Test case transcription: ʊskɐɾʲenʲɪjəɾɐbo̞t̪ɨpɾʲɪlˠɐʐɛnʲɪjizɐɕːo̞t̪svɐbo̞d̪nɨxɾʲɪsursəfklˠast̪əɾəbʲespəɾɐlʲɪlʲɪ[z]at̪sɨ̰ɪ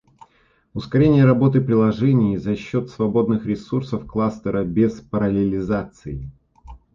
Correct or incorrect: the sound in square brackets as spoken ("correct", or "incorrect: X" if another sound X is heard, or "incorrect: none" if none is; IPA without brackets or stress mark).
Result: correct